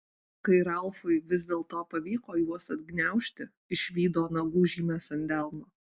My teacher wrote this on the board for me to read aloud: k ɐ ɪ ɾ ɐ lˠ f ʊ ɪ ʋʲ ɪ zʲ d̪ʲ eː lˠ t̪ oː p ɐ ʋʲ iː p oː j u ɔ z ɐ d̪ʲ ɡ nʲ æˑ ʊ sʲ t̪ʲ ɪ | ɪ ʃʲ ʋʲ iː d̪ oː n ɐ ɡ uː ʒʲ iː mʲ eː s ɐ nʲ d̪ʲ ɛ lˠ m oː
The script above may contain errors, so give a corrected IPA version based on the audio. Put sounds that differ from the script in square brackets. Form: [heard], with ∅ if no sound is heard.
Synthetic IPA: k ɐ ɪ ɾ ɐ lˠ f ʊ ɪ ʋʲ ɪ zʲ d̪ʲ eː lˠ t̪ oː p ɐ ʋʲ iː [k] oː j u ɔ [s] ɐ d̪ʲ ɡ nʲ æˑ ʊ [ʃʲ] t̪ʲ ɪ | ɪ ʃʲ ʋʲ iː d̪ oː n ɐ ɡ uː ʒʲ iː mʲ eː s ɐ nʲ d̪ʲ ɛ lˠ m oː